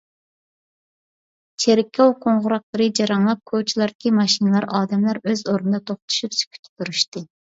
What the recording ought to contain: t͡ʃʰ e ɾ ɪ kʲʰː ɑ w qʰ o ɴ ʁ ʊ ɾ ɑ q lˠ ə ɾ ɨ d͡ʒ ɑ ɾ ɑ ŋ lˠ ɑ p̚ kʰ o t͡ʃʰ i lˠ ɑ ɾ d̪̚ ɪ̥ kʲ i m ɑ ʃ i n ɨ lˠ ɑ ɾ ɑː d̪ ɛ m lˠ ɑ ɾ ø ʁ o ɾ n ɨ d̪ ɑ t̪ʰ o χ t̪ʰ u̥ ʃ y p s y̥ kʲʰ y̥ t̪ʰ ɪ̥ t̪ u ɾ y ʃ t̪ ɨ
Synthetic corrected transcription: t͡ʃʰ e ɾ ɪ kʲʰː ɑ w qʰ o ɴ ʁ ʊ ɾ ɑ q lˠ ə ɾ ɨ d͡ʒ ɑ ɾ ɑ ŋ lˠ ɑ p̚ kʰ o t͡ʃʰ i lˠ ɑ ɾ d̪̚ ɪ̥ kʲ i m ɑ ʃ i n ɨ lˠ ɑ ɾ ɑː d̪ ɛ m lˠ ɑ ɾ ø z o ɾ n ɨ d̪ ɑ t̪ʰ o χ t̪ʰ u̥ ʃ y p s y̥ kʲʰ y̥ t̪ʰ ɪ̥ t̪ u ɾ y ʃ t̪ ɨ